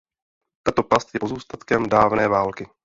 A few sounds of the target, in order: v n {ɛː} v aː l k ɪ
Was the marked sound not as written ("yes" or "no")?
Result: no